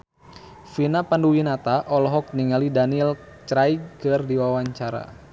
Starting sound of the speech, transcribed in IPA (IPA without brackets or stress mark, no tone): f